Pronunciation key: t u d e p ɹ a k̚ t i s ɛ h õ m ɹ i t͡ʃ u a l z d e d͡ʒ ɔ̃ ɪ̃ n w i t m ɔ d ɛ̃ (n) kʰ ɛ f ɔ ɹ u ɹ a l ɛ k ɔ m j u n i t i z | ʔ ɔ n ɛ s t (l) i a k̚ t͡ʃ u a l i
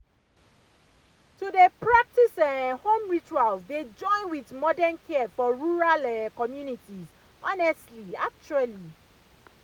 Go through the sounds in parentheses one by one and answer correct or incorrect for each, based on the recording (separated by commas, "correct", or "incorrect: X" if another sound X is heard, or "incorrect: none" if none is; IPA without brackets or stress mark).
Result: correct, correct